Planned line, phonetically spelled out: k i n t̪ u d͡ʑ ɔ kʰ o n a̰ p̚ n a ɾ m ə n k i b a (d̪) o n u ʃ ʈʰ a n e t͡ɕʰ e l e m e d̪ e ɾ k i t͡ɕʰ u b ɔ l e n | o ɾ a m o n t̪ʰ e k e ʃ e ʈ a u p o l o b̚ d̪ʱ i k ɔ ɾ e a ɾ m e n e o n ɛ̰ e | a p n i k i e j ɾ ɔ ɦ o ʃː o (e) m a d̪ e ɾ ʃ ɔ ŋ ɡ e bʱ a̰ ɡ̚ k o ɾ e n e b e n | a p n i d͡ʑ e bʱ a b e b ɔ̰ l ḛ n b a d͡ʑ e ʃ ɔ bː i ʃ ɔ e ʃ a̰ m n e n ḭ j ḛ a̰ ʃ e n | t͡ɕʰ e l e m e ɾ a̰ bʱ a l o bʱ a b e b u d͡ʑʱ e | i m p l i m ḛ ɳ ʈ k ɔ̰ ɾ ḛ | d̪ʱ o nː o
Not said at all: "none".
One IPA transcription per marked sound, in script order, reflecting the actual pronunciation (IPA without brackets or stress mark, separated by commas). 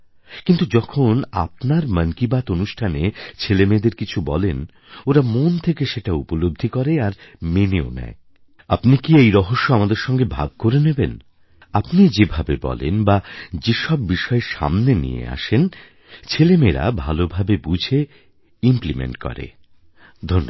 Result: t̪, a